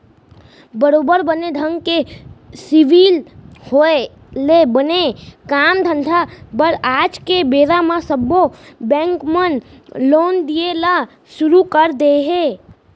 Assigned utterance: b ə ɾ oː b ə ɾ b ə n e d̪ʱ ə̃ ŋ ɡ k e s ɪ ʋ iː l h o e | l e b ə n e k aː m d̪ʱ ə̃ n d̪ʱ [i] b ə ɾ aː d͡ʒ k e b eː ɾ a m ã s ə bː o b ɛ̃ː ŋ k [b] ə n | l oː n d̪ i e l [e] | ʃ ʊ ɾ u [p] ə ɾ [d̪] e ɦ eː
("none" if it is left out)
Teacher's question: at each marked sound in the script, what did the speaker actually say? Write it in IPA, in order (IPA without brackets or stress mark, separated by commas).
a, m, a, k, d̪